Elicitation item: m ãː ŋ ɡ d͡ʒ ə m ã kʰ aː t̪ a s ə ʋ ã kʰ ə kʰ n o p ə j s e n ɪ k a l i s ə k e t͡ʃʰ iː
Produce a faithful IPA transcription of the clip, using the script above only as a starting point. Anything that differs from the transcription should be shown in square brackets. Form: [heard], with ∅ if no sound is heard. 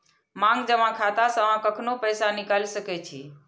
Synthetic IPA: m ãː ŋ ɡ d͡ʒ ə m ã kʰ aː t̪ a s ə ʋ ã [k] ə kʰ n o p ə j s [a] n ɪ k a l i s ə k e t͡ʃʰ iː